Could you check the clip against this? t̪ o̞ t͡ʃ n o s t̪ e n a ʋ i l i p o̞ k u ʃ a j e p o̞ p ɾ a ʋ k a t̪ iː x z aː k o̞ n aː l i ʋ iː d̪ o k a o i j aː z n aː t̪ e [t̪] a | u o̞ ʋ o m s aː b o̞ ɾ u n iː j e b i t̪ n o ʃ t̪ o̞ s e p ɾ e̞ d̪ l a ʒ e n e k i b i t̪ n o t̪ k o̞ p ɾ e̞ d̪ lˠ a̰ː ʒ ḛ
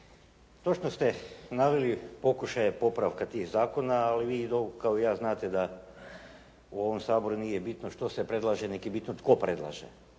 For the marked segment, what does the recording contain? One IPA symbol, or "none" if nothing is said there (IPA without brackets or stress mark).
d̪